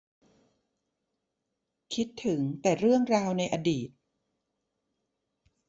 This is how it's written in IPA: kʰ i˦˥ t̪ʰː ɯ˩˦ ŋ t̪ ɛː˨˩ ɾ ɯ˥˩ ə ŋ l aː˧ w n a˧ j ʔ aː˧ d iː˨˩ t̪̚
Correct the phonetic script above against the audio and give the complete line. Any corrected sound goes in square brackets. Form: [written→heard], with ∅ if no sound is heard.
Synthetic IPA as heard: kʰ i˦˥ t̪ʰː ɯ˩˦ ŋ t̪ ɛː˨˩ ɾ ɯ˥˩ ə ŋ [l→ɾ] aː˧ w n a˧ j ʔ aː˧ d iː˨˩ t̪̚